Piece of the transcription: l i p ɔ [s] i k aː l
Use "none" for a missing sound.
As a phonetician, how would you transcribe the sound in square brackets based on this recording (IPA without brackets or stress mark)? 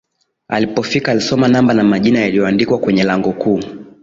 f